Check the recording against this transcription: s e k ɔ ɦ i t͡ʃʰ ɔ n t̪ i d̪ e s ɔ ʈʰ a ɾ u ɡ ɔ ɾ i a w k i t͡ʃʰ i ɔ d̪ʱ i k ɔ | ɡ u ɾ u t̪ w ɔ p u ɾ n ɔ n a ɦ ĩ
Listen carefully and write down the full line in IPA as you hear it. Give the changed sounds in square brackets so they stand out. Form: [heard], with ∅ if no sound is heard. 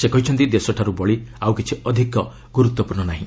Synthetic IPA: s e k ɔ ɦ i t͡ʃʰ ɔ n t̪ i d̪ e s ɔ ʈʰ a ɾ u [b] ɔ [ɭ] i a w k i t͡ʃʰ i ɔ d̪ʱ i k ɔ | ɡ u ɾ u t̪ w ɔ p u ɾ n ɔ n a ɦ ĩ